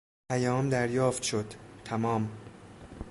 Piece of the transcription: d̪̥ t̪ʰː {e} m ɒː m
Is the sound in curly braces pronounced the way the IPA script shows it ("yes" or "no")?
no